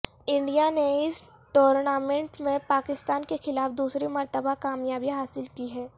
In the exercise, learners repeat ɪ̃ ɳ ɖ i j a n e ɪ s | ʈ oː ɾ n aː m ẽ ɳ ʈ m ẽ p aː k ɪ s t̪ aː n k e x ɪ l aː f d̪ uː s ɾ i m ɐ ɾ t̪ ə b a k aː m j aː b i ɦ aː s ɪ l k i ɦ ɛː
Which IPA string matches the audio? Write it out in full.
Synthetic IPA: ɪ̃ ɳ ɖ i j a n e ɪ s | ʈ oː ɾ n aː m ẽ ɳ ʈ m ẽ p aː k ɪ s t̪ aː n k e x ɪ l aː f d̪ uː s ɾ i m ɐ ɾ t̪ ə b a k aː m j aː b i ɦ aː s ɪ l k i ɦ ɛː